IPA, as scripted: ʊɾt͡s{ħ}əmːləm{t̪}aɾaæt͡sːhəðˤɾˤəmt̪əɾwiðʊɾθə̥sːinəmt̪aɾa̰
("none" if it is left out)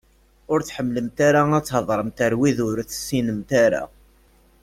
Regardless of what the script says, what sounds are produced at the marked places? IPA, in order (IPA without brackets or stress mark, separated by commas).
ħ, t̪